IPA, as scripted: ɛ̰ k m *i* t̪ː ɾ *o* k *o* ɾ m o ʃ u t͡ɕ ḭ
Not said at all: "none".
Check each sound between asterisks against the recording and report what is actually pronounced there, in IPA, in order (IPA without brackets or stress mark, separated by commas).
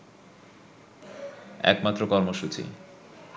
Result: a, o, ɔ